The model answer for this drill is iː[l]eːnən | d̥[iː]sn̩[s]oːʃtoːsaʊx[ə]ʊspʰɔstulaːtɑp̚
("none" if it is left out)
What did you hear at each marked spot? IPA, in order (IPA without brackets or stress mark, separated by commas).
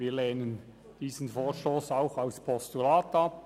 l, iː, f, a